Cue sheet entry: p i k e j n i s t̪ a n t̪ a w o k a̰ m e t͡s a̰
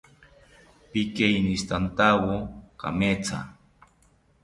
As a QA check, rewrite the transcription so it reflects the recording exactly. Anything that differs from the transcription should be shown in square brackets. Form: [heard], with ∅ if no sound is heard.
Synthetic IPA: p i k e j n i s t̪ a n t̪ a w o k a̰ m e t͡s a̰